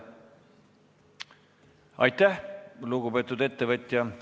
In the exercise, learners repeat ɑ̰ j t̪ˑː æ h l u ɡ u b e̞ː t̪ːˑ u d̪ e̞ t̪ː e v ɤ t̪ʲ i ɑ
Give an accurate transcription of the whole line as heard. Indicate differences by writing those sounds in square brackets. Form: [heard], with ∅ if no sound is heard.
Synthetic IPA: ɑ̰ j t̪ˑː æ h l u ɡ u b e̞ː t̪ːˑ u d̪ e̞ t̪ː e v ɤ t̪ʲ [j] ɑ